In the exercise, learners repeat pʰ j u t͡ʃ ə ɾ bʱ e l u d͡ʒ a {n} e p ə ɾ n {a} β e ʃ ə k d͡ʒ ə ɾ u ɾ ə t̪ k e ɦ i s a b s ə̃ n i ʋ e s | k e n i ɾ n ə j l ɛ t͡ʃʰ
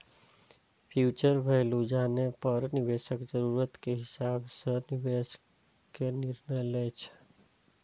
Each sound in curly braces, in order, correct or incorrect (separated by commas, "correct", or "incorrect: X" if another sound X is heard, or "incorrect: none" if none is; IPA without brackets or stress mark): correct, incorrect: i